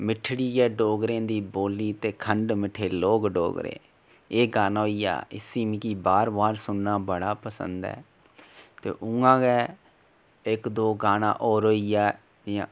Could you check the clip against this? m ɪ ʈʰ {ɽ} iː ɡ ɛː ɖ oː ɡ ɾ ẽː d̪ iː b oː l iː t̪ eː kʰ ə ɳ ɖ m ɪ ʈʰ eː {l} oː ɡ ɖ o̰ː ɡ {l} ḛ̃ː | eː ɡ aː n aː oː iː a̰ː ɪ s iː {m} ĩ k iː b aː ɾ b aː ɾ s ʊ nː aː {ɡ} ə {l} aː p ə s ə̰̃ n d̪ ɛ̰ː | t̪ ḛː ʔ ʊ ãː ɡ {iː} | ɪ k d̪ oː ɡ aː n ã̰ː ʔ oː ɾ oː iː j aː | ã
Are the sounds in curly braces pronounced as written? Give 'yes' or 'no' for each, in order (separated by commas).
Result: yes, yes, no, yes, no, no, no